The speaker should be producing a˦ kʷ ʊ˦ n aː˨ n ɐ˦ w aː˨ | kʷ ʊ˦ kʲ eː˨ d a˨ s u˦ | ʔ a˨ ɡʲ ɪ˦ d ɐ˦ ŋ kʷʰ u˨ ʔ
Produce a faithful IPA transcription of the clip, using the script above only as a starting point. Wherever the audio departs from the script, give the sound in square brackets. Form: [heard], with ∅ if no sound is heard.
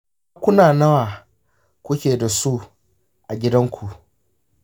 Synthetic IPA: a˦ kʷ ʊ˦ n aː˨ n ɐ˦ w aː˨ | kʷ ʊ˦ kʲ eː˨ d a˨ s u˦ | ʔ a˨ ɡʲ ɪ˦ d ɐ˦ ŋ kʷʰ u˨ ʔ